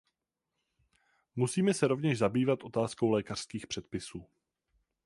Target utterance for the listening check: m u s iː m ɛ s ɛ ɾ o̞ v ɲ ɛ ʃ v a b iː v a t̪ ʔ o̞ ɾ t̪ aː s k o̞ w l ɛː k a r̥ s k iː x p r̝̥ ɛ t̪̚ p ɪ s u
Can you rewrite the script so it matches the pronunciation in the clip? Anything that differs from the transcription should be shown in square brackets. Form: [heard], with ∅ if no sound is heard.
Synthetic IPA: m u s iː m ɛ s ɛ ɾ o̞ v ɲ ɛ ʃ [z] a b iː v a t̪ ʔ o̞ [∅] t̪ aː s k o̞ w l ɛː k a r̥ s k iː x p r̝̥ ɛ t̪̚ p ɪ s [uː]